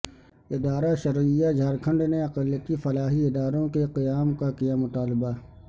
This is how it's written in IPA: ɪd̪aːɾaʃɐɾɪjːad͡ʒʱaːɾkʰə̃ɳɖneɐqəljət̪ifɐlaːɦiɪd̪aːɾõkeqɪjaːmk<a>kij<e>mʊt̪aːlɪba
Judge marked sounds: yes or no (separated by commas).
yes, no